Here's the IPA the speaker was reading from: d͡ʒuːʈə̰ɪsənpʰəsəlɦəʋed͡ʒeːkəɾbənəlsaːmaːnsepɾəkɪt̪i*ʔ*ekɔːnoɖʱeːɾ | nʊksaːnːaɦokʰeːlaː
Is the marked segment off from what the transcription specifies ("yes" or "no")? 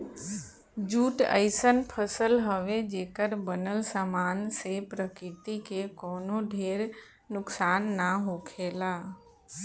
yes